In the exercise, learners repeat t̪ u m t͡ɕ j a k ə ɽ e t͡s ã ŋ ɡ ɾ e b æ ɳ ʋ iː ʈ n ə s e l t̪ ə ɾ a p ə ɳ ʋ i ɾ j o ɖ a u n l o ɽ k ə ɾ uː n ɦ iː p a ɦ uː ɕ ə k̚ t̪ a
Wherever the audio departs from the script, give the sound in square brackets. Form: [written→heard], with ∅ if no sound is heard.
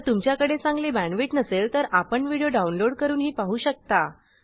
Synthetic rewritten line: t̪ u m t͡ɕ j a k ə ɽ e t͡s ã ŋ ɡ [ɾ→l] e b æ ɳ ʋ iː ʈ n ə s e l t̪ ə ɾ a p ə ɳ ʋ i [ɾ→ɽ] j o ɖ a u n l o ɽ k ə ɾ uː n ɦ iː p a ɦ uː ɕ ə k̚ t̪ a